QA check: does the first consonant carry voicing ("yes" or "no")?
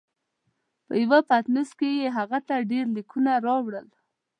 no